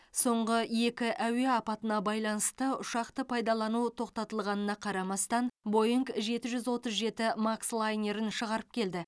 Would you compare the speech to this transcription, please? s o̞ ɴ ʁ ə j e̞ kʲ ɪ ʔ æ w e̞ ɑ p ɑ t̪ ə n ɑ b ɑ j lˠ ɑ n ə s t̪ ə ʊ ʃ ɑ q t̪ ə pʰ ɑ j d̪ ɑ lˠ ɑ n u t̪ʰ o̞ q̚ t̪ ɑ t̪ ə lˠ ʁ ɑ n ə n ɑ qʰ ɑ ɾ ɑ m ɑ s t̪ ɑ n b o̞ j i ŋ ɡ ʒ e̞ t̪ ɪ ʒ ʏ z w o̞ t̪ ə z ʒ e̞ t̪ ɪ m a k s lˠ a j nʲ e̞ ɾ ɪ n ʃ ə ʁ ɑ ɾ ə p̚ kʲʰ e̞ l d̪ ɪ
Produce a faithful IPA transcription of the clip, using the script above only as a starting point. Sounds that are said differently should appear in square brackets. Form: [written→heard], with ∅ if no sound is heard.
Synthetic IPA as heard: s o̞ ɴ ʁ ə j e̞ kʲ ɪ ʔ æ w e̞ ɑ p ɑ t̪ ə n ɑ b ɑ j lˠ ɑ n ə s t̪ ə ʊ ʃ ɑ q t̪ ə pʰ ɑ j d̪ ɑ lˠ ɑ n u t̪ʰ o̞ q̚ t̪ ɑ t̪ ə lˠ ʁ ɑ n ə n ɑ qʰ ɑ ɾ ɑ m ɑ s t̪ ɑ n b o̞ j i ŋ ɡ ʒ e̞ t̪ ɪ ʒ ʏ z w o̞ t̪ ə z ʒ e̞ t̪ ɪ m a k s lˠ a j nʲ e̞ ɾ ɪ n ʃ ə ʁ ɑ ɾ ə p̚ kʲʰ e̞ l d̪ ɪ

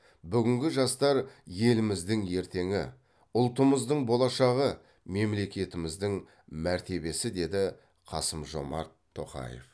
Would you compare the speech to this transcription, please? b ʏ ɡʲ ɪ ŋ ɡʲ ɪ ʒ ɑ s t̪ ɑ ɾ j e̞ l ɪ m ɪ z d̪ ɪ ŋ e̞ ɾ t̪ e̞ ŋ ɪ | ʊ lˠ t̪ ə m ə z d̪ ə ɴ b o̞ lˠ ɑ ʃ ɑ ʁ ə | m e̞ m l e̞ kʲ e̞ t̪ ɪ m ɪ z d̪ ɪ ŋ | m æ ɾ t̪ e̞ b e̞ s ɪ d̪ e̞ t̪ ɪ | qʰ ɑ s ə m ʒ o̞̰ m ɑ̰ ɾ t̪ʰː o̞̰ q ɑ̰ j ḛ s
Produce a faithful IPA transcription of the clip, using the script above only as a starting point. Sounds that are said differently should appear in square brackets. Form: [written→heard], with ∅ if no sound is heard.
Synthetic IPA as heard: b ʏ ɡʲ ɪ ŋ ɡʲ ɪ ʒ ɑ s t̪ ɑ ɾ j e̞ l ɪ m ɪ z d̪ ɪ ŋ e̞ ɾ t̪ e̞ ŋ ɪ | ʊ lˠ t̪ ə m ə z d̪ ə ɴ b o̞ lˠ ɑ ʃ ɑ ʁ ə | m e̞ m l e̞ kʲ e̞ t̪ ɪ m ɪ z d̪ ɪ ŋ | m æ ɾ t̪ e̞ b e̞ s ɪ d̪ e̞ [t̪→d̪] ɪ | qʰ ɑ s ə m ʒ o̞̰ m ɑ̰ ɾ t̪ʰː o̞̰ q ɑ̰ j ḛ [s→f]

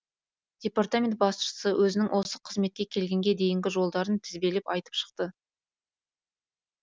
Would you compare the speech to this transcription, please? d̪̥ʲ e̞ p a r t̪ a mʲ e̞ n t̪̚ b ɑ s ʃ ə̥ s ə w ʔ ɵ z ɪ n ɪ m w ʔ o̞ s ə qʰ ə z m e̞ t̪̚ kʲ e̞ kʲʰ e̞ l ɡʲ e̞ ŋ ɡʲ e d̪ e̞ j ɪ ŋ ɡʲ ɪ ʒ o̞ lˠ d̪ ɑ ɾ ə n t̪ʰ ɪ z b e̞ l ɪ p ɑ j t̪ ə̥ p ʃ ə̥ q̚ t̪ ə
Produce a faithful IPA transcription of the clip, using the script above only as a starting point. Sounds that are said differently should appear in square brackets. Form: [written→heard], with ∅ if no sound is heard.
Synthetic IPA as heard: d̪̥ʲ e̞ p a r t̪ a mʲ e̞ n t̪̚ b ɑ s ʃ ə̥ s ə w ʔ ɵ z ɪ n ɪ [m→ŋ] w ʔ o̞ s ə qʰ ə z m e̞ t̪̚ kʲ e̞ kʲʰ e̞ l ɡʲ e̞ ŋ ɡʲ e d̪ e̞ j ɪ ŋ ɡʲ ɪ ʒ o̞ lˠ d̪ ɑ ɾ ə n t̪ʰ ɪ z b e̞ l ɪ p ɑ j t̪ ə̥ p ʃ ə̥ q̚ t̪ ə

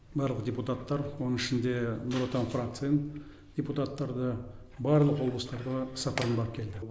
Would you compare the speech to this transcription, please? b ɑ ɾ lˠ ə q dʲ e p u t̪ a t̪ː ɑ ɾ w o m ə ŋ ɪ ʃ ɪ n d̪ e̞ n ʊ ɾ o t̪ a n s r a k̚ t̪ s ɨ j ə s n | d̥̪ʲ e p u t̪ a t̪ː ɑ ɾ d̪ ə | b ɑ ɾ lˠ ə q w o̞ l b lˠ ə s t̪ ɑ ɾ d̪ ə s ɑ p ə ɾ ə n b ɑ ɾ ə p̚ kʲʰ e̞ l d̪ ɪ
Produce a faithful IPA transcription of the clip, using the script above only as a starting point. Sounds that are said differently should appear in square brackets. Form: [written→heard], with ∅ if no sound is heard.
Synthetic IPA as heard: b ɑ ɾ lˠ ə q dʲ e p u t̪ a t̪ː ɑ ɾ w o [m→n] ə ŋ ɪ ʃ ɪ n d̪ e̞ n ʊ ɾ o t̪ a n [s→f] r a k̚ t̪ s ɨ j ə [s→∅] n | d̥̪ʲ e p u t̪ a t̪ː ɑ ɾ d̪ ə | b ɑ ɾ lˠ ə q w o̞ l b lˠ ə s t̪ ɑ ɾ d̪ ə s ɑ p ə ɾ ə n b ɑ ɾ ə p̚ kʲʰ e̞ l d̪ ɪ

